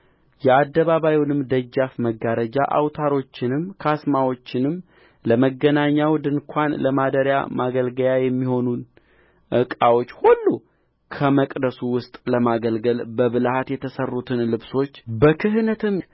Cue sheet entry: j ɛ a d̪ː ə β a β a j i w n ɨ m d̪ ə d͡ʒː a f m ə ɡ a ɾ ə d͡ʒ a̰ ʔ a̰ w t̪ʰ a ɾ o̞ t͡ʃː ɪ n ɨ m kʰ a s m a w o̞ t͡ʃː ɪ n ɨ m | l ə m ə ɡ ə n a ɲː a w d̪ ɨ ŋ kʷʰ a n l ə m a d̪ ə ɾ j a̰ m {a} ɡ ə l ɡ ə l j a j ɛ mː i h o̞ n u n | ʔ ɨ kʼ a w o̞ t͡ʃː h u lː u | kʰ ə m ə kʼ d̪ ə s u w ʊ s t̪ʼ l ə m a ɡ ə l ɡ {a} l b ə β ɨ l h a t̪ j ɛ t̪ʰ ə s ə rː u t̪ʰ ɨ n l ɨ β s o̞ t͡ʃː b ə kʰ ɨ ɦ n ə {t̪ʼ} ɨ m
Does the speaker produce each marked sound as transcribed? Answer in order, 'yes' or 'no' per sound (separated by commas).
yes, no, no